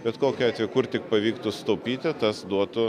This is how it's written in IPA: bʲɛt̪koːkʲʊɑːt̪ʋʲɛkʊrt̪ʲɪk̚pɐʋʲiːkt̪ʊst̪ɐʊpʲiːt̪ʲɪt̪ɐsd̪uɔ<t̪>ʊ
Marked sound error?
no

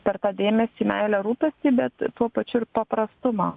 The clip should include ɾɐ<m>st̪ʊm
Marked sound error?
yes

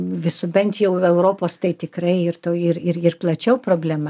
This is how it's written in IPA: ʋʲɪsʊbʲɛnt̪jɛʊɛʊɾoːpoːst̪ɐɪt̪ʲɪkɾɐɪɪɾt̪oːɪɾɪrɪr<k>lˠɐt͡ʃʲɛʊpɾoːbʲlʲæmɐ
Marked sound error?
yes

